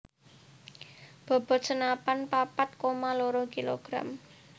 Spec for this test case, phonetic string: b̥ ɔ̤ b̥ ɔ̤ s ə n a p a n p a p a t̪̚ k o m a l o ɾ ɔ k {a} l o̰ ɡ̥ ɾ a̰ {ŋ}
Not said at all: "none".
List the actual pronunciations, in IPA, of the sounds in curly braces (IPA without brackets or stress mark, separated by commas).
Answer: i, m